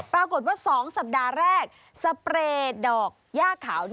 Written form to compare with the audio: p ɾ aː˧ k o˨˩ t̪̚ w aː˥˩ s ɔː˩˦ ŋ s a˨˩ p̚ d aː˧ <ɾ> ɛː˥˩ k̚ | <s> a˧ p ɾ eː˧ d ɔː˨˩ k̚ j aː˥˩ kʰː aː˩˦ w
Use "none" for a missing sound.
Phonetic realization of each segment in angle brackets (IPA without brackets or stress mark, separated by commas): ɾ, s